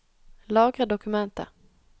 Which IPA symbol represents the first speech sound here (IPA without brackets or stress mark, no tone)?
l